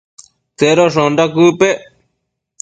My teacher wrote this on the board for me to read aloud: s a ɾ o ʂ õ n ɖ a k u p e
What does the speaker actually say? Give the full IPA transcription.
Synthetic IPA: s e ɾ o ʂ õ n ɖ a k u p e